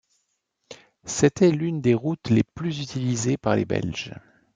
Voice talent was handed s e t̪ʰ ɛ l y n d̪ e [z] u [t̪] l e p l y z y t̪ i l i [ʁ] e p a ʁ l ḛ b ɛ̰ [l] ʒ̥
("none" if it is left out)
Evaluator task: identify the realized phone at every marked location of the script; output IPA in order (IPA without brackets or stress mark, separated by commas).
ʁ, t̪, z, l